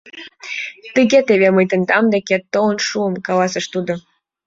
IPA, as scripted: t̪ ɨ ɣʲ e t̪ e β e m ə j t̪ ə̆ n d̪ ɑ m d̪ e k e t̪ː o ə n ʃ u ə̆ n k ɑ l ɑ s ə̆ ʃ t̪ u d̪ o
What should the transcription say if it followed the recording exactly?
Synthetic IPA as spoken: t̪ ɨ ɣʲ e t̪ e β e m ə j t̪ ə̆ n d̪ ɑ m d̪ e k e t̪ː o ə n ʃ u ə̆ m k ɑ l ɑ s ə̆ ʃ t̪ u d̪ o